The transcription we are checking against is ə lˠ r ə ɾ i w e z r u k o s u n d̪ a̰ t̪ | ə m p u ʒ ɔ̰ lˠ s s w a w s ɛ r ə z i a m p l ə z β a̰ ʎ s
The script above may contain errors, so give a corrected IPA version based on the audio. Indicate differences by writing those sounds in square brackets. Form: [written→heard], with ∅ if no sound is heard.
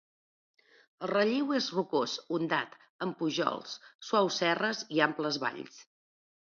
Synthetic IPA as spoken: ə lˠ r ə [ɾ→ʎ] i w e z r u k o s u n d̪ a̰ t̪ | ə m p u ʒ ɔ̰ lˠ s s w a w s ɛ r ə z i a m p l ə z β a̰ ʎ s

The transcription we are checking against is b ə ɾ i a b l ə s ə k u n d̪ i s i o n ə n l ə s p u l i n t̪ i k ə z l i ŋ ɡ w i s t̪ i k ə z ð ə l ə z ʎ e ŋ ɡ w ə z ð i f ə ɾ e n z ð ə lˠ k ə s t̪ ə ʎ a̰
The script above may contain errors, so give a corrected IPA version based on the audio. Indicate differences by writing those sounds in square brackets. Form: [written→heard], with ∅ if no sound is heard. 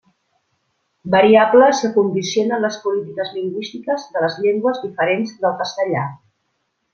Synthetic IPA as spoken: b ə ɾ i a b l ə s ə k u n d̪ i s i o n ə n l ə s p u l i [n→∅] t̪ i k ə z l i ŋ ɡ w i s t̪ i k ə z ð ə l ə z ʎ e ŋ ɡ w ə z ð i f ə ɾ e n z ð ə lˠ k ə s t̪ ə ʎ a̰

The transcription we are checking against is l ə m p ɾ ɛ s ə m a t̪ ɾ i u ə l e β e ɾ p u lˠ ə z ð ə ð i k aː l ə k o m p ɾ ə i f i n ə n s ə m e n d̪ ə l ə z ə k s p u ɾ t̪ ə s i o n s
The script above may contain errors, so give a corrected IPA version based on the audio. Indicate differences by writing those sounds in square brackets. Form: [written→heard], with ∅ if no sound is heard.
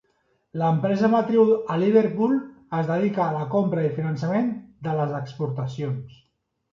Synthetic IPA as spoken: l ə m p ɾ ɛ [s→z] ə m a t̪ ɾ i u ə l [e→i] β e ɾ p u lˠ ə z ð ə ð i k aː l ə k o m p ɾ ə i f i n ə n s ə m e n d̪ ə l ə z ə k s p u ɾ t̪ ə s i o n s

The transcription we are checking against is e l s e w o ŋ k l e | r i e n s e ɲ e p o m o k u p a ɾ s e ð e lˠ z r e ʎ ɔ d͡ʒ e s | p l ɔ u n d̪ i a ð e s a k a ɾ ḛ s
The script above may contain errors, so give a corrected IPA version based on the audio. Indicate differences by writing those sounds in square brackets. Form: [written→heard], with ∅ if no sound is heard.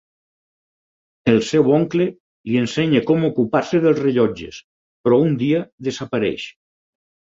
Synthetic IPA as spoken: e l s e w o ŋ k l e | [r→l] i e n s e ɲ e [p→k] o m o k u p a ɾ s e ð e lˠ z r e ʎ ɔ d͡ʒ e s | p [l→ɾ] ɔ u n d̪ i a ð e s a [k→p] a ɾ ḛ [s→ʃ]

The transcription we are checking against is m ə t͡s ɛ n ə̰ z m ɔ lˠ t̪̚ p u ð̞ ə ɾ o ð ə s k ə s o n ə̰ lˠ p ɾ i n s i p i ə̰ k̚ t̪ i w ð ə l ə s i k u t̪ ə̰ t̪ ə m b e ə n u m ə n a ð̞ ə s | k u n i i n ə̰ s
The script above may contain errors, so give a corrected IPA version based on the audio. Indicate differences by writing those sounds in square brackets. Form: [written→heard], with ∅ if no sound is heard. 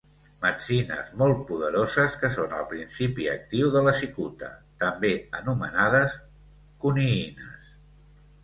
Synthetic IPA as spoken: m ə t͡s [ɛ→i] n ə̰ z m ɔ lˠ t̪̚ p u ð̞ ə ɾ o [ð→z] ə s k ə s o n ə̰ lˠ p ɾ i n s i p i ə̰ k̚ t̪ i w ð ə l ə s i k u t̪ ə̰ t̪ ə m b e ə n u m ə n a ð̞ ə s | k u n i i n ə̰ s

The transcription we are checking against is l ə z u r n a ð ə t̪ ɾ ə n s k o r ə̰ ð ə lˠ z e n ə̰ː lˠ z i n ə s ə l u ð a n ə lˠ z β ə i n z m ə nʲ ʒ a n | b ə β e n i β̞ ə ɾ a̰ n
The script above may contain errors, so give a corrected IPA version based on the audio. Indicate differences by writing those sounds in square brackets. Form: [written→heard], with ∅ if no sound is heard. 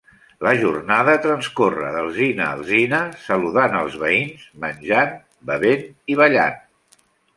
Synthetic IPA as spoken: l ə [z→ʒ] u r n a ð ə t̪ ɾ ə n s k o r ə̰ ð ə lˠ z [e→i] n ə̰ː lˠ z i n ə s ə l u ð a n ə lˠ z β ə i n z m ə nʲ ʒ a n | b ə β e n i β̞ ə [ɾ→ʎ] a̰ n

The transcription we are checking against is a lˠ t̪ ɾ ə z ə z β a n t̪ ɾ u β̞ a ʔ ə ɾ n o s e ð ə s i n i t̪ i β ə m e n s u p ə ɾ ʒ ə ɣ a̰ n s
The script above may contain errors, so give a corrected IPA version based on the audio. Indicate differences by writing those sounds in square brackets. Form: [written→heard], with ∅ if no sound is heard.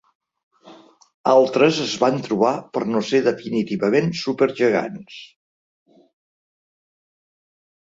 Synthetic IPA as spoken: a lˠ t̪ ɾ ə z ə z β a n t̪ ɾ u β̞ a [ʔ→p] ə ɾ n o s e ð ə [s→f] i n i t̪ i β ə m e n s u p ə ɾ ʒ ə ɣ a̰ n s

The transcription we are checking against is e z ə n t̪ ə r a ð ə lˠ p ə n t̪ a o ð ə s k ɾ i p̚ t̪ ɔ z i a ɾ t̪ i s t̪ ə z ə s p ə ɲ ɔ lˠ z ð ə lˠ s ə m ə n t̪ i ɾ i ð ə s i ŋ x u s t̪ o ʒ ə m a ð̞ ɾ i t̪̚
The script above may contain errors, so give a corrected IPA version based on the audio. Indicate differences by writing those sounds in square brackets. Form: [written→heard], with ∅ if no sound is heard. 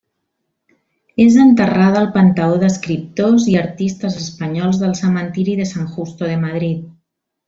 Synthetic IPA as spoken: e z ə n t̪ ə r a ð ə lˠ p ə n t̪ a o ð ə s k ɾ i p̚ t̪ [ɔ→o] z i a ɾ t̪ i s t̪ ə z ə s p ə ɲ ɔ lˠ z ð ə lˠ s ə m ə n t̪ i ɾ i ð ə s [i→a] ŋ x u s t̪ o [ʒ→ð] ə m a ð̞ ɾ i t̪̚

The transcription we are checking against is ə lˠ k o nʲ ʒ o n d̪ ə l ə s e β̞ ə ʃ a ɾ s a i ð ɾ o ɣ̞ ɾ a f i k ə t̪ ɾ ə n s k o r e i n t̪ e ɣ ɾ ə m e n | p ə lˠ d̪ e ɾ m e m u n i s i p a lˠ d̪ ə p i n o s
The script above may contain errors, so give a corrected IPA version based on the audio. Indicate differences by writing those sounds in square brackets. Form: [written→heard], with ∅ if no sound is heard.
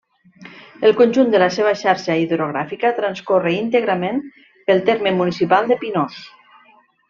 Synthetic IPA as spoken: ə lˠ k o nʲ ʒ [o→u] n d̪ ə l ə s e β̞ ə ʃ a ɾ [s→ʃ] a i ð ɾ o ɣ̞ ɾ a f i k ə t̪ ɾ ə n s k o r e i n t̪ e ɣ ɾ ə m e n | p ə lˠ [d̪→t̪] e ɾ m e m u n i s i p a lˠ d̪ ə p i n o s

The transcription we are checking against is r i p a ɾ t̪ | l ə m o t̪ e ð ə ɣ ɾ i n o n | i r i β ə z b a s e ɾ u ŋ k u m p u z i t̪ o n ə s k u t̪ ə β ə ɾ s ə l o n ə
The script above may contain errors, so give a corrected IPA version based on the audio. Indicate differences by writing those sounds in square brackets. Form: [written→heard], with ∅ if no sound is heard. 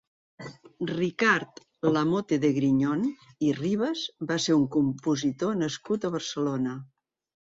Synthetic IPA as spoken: r i [p→k] a ɾ t̪ | l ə m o t̪ e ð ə ɣ ɾ i [n→ɲ] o n | i r i β ə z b a s e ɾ u ŋ k u m p u z i t̪ o n ə s k u t̪ ə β ə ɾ s ə l o n ə

